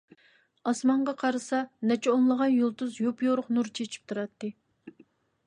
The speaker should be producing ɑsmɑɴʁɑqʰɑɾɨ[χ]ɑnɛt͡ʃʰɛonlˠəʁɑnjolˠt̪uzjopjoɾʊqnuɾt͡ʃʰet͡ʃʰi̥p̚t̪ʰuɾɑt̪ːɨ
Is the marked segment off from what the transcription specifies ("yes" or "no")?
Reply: yes